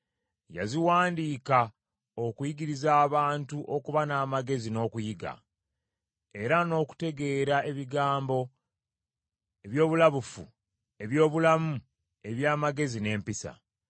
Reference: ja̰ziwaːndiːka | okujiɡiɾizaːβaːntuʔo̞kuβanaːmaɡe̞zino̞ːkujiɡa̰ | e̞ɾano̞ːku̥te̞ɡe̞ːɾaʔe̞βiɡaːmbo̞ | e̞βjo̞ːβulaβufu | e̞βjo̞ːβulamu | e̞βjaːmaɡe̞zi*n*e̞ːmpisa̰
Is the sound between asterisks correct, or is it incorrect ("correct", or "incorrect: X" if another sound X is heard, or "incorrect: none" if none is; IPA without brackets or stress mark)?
correct